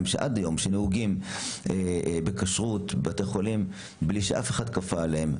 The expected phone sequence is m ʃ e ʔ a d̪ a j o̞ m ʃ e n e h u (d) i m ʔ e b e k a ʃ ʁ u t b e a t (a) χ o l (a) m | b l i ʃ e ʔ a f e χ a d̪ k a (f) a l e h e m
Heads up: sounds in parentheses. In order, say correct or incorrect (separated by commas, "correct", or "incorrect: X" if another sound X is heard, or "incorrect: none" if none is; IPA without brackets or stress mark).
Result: incorrect: ɡ, incorrect: e, incorrect: i, correct